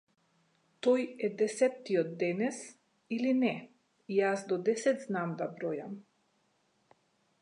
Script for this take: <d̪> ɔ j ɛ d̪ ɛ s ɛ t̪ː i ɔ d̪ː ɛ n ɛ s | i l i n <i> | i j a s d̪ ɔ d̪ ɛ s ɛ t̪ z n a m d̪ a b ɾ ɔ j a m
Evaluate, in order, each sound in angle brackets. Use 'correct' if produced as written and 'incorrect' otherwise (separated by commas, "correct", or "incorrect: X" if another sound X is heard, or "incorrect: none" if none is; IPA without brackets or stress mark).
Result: incorrect: t̪, incorrect: ɛ